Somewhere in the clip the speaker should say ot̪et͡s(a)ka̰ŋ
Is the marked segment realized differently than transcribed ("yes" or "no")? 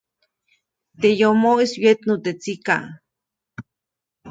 yes